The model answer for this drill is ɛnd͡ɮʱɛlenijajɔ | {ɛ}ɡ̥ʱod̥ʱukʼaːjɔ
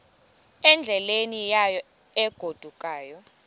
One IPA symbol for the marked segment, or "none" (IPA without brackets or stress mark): ɛ